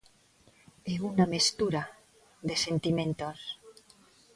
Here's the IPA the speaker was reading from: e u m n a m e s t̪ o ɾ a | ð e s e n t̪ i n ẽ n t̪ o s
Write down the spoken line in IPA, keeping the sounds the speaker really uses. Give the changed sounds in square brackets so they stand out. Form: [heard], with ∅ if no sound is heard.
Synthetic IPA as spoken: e u [∅] n a m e s t̪ [u] ɾ a | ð e s e n t̪ i [m] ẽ n t̪ o s